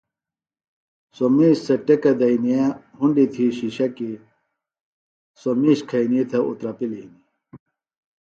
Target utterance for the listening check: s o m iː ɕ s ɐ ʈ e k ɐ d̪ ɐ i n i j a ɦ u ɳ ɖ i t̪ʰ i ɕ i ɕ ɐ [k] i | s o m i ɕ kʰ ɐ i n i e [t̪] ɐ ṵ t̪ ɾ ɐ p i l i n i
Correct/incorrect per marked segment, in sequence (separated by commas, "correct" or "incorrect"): correct, incorrect